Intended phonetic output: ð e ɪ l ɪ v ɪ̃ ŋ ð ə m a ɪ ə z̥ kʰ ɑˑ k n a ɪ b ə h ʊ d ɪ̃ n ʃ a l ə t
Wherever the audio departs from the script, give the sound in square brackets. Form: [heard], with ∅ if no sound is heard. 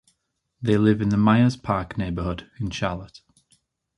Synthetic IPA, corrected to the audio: ð e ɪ l ɪ v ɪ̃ [n] ð ə m a ɪ ə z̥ [pʰ] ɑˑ k n [e] ɪ b ə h ʊ d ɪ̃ n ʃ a l ə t

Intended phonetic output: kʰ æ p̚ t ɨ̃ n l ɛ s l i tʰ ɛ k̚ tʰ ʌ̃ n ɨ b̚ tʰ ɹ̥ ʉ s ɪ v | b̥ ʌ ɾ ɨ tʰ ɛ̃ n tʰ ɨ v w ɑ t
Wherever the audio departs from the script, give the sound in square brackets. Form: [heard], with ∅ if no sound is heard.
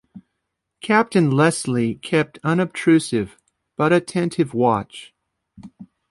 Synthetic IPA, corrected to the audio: kʰ æ p̚ t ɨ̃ n l ɛ s l i [kʰ] ɛ [p̚] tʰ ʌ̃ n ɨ b̚ tʰ ɹ̥ ʉ s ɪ v | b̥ ʌ ɾ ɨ tʰ ɛ̃ n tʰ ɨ v w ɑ [t͡ʃ]

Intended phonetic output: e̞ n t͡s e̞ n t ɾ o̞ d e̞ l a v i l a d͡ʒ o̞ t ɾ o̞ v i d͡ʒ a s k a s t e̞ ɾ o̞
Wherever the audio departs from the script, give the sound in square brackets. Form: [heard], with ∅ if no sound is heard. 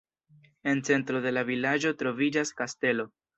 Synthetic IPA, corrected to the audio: e̞ n t͡s e̞ n t ɾ o̞ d e̞ l a v i l a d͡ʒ o̞ t ɾ o̞ v i d͡ʒ a s k a s t e̞ [l] o̞

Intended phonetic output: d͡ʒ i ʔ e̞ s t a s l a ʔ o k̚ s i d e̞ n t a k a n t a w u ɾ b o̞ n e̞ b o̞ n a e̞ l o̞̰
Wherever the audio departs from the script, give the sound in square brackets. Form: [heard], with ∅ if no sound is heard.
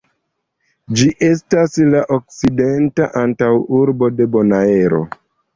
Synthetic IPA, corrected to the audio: d͡ʒ i ʔ e̞ s t a s l a ʔ o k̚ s i d e̞ n t a [ʔ] a n t a w u ɾ b o̞ [d] e̞ b o̞ n a e̞ [ɾ] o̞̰

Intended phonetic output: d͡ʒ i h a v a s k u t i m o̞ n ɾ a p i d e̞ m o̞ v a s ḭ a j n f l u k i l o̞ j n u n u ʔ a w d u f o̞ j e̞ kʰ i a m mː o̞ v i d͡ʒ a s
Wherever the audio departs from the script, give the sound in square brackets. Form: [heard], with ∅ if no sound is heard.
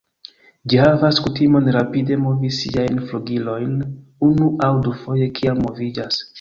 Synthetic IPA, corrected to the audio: d͡ʒ i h a v a s k u t i m o̞ n ɾ a p i d e̞ m o̞ v [i] s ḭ a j n f l u [ɡ] i l o̞ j n u n u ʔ a w d u f o̞ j e̞ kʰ i a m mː o̞ v i d͡ʒ a s

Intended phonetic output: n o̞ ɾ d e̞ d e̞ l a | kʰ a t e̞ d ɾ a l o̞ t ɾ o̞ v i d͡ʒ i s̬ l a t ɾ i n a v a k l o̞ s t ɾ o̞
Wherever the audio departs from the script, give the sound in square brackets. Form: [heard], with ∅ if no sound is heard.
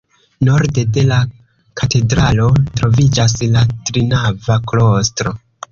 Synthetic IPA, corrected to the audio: n o̞ ɾ d e̞ d e̞ l a | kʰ a t e̞ d ɾ a l o̞ t ɾ o̞ v i d͡ʒ [a] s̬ l a t ɾ i n a v a k l o̞ s t ɾ o̞

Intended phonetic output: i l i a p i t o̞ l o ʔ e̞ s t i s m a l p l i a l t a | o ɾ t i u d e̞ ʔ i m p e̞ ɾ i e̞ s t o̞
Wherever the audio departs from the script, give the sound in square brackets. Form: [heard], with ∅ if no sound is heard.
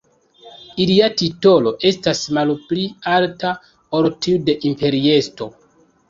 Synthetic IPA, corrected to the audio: i l i a [t] i t o̞ l o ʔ e̞ s t [a] s m a l p l i a l t a | o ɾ t i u d e̞ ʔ i m p e̞ ɾ i e̞ s t o̞

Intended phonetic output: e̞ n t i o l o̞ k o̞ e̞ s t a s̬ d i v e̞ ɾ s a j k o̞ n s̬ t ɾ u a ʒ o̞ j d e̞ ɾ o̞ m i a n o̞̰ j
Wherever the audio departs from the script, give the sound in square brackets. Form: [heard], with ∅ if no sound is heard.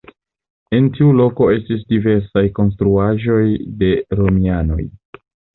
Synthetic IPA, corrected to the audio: e̞ n t i [u] l o̞ k o̞ e̞ s t [i] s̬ d i v e̞ ɾ s a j k o̞ n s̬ t ɾ u a ʒ o̞ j d e̞ ɾ o̞ m i a n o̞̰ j

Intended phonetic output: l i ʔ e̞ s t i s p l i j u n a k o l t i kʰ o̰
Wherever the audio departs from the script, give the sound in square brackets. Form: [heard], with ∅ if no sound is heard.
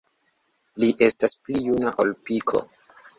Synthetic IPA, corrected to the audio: l i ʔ e̞ s t [a] s p l i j u n a [ʔ] o l [p] i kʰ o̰

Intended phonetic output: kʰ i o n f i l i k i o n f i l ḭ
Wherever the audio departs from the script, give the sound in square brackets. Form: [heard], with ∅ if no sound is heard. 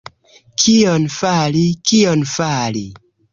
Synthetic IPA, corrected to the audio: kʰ i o n f [a] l i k i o n f [a] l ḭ

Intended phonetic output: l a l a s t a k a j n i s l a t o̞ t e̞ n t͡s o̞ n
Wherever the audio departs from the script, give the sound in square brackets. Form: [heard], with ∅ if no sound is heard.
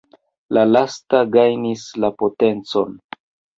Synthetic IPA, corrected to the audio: l a l a s t a [ɡ] a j n i s l a [p] o̞ t e̞ n t͡s o̞ n

